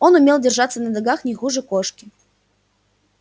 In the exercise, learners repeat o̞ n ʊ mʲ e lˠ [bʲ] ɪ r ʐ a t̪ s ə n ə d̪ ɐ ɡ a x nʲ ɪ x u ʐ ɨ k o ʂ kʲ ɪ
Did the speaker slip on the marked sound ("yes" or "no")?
yes